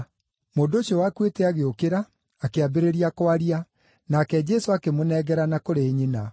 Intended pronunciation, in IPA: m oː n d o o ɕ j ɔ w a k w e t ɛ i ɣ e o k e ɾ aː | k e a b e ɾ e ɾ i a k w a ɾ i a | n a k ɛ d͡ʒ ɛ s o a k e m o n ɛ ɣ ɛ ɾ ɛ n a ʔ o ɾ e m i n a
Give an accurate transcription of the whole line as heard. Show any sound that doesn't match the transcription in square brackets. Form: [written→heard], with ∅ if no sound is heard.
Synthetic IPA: m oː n d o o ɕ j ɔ w a k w e t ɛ [i→a] ɣ e o k e ɾ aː | k e a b e ɾ e ɾ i a k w a ɾ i a | n a k ɛ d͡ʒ ɛ s o a k e m o n ɛ ɣ ɛ ɾ [ɛ→a] n a [ʔ→k] o ɾ e [m→ɲ] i n a